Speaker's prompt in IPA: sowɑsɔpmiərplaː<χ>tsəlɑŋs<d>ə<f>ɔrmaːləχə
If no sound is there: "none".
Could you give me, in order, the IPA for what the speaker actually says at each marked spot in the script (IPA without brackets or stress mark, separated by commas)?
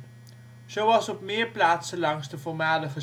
none, d, f